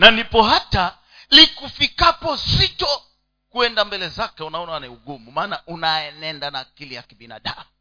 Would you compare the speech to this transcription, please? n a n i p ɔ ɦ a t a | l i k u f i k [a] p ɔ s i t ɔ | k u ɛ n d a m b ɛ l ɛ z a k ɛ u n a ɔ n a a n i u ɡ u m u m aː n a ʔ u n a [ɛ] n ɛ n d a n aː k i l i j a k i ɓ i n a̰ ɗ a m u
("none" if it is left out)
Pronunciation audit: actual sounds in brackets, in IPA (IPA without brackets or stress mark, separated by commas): a, ɛ